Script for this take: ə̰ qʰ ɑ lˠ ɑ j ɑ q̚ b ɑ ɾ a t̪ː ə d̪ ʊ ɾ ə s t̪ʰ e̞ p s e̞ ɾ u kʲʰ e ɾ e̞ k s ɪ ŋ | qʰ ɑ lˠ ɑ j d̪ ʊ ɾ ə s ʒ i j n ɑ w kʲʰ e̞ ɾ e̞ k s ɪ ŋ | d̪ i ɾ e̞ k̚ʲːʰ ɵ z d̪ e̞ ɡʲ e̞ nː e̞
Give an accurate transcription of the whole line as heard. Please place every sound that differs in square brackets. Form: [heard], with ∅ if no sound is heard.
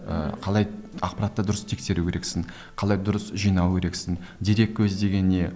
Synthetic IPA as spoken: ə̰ qʰ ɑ lˠ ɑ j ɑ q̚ [p] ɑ ɾ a t̪ː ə d̪ ʊ ɾ ə s t̪ʰ e̞ [k] s e̞ ɾ u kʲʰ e ɾ e̞ k s ɪ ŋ | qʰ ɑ lˠ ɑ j d̪ ʊ ɾ ə s ʒ i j n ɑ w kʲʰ e̞ ɾ e̞ k s ɪ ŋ | d̪ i ɾ e̞ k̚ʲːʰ ɵ z d̪ e̞ ɡʲ e̞ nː e̞